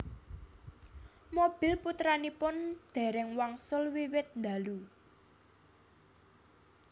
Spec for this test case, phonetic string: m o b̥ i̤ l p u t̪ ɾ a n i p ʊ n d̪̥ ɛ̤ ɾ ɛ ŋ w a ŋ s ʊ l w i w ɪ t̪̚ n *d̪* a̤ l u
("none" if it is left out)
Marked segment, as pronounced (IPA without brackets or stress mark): d̪